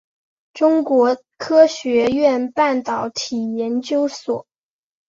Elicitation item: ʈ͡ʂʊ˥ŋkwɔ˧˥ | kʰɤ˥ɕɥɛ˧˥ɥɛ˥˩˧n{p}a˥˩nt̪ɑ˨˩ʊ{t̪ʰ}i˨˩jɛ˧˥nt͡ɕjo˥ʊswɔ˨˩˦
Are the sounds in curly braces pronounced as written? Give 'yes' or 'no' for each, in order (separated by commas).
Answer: yes, yes